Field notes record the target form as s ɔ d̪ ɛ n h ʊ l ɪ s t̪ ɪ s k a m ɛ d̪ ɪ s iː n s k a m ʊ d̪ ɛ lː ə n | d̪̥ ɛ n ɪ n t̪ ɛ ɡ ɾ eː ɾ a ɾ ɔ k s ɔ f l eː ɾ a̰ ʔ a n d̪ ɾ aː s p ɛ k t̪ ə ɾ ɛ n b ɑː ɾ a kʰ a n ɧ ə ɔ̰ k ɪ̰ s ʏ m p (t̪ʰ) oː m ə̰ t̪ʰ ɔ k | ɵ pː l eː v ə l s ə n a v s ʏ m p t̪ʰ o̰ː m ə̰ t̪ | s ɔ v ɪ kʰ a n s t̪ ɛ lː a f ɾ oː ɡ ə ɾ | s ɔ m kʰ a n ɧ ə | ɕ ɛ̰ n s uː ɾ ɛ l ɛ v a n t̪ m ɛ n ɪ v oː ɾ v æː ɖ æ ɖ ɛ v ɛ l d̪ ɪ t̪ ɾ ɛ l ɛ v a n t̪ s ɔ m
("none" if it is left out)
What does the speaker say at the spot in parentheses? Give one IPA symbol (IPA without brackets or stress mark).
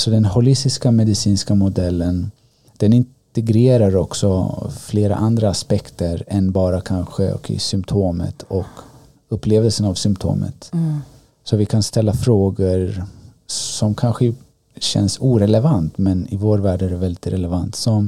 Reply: t̪ʰ